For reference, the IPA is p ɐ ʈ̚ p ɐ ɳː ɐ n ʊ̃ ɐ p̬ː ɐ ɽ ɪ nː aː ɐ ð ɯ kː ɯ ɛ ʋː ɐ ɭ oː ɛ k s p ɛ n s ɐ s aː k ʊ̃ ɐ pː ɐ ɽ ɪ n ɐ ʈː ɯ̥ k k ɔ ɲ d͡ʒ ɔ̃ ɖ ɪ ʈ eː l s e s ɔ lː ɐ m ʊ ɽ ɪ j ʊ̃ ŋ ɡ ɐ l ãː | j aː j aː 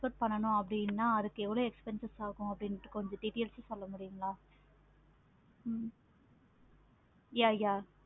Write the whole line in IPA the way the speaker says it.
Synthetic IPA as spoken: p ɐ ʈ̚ p ɐ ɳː ɐ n ʊ̃ ɐ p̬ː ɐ ɽ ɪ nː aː ɐ ð ɯ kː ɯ ɛ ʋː ɐ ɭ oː ɛ k s p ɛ n s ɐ s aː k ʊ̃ ɐ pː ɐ ɽ ɪ n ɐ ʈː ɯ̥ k k ɔ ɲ d͡ʒ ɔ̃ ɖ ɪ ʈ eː l s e s ɔ lː ɐ m ʊ ɽ ɪ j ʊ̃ ŋ ɡ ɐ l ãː | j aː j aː